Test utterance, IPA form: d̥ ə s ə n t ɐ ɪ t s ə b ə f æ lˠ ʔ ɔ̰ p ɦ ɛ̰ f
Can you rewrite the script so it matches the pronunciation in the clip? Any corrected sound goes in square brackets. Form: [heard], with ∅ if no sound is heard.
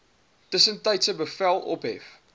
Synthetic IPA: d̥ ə s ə n t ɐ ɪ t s ə b ə f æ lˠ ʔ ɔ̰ p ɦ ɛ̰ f

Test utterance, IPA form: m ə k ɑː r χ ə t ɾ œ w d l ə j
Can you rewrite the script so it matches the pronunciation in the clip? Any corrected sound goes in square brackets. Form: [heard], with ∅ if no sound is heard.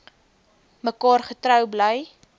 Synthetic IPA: m ə k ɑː r χ ə t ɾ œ w [b] l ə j

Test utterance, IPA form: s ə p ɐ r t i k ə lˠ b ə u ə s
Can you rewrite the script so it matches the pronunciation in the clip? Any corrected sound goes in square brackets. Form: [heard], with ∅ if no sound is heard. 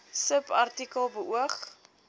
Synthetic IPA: s ə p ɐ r t i k ə lˠ b ə u ə [χ]

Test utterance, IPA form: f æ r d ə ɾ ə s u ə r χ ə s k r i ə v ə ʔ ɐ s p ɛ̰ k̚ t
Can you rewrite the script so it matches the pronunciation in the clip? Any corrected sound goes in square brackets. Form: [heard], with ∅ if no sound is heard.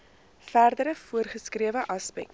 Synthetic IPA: f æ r d ə ɾ ə [f] u ə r χ ə s k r i ə v ə ʔ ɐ s p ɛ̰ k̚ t

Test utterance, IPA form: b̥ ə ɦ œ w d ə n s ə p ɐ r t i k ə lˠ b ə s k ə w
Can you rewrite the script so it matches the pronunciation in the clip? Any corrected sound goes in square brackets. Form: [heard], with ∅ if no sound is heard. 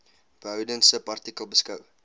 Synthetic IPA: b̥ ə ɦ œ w d ə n s ə p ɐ r t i k ə lˠ b ə s k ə w

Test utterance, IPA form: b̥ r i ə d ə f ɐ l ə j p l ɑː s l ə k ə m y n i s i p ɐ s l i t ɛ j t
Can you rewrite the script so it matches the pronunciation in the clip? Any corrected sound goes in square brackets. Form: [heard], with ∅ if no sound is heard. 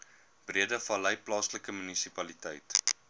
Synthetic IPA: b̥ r i ə d ə f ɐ l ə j p l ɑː s l ə k ə m y n i s i p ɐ [∅] l i t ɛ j t

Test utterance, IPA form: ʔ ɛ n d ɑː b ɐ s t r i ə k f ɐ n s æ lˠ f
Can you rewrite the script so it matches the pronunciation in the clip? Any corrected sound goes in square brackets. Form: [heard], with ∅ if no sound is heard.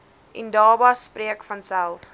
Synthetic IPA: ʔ ɛ n d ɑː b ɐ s [p] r i ə k f ɐ n s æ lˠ f

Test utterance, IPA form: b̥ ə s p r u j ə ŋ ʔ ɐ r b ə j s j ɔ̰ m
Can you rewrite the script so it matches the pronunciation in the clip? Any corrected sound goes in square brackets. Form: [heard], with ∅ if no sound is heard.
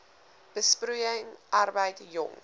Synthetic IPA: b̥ ə s p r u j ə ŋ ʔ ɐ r b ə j [t] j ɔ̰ [ŋ]

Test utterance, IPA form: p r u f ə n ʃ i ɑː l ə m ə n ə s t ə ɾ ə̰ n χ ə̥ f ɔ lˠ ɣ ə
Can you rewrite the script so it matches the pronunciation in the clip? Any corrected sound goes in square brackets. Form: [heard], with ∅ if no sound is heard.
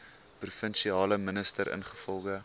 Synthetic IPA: p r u f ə n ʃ i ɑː l ə m ə n ə s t ə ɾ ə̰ n χ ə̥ f ɔ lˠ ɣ ə

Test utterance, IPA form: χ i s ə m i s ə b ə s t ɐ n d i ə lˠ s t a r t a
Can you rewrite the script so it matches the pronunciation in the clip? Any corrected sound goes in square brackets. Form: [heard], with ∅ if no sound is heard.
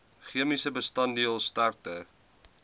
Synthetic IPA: χ i [∅] ə m i s ə b ə s t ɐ n d i ə lˠ s t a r t [ə]

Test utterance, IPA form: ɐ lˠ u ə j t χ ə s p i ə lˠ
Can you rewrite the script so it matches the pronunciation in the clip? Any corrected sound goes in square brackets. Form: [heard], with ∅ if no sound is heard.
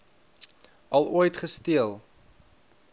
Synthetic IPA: ɐ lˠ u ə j t χ ə s [t] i ə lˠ

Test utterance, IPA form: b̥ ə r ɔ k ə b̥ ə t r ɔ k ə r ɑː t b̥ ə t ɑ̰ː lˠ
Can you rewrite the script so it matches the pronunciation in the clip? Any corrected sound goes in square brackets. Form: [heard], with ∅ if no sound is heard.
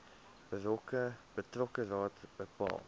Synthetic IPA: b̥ ə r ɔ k ə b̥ ə t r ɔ k ə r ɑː t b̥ ə [p] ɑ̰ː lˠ

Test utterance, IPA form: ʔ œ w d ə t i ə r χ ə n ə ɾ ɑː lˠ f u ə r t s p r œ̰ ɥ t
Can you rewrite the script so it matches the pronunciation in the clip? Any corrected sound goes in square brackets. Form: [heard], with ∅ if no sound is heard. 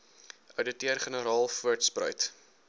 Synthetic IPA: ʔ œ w d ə t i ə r χ ə n ə ɾ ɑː lˠ f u ə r t s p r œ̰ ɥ t

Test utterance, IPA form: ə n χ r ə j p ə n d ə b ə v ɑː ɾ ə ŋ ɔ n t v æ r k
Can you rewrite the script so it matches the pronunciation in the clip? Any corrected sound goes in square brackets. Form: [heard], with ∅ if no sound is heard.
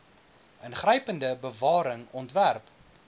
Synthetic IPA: ə n χ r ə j p ə n d ə b ə v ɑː ɾ ə ŋ ɔ n t v æ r [p]

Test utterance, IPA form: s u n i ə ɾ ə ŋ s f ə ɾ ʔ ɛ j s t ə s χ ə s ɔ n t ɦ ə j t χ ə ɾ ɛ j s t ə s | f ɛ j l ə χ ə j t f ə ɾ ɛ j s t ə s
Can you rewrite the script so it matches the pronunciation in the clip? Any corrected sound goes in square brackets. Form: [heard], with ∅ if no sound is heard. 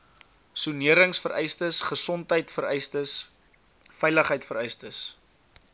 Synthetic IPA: s u n i ə ɾ ə ŋ s f ə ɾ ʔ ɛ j s t ə s χ ə s ɔ n t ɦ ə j t [f] ə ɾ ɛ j s t ə s | f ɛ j l ə χ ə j t f ə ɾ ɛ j s t ə s

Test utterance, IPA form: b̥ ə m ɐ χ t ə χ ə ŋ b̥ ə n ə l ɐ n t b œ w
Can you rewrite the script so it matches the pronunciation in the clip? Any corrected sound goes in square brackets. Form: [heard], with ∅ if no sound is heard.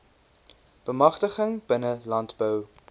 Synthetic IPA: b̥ ə m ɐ χ t ə χ ə ŋ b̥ ə n ə l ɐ n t b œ w

